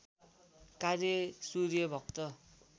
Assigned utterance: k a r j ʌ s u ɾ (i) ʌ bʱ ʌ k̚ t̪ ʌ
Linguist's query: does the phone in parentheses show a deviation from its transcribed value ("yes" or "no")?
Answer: yes